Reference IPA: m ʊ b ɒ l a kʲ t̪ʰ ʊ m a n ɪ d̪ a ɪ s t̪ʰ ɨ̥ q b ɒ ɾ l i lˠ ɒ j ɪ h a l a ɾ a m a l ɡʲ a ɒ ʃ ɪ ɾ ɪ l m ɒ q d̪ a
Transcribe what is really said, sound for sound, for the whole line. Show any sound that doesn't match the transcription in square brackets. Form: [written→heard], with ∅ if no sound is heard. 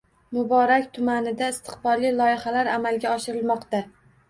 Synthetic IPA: m ʊ b ɒ [l→ɾ] a kʲ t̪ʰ ʊ m a n ɪ d̪ a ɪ s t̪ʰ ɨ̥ q b ɒ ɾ l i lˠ ɒ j ɪ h a l a ɾ a m a l ɡʲ a ɒ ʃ ɪ ɾ ɪ l m ɒ q [d̪→t̪] a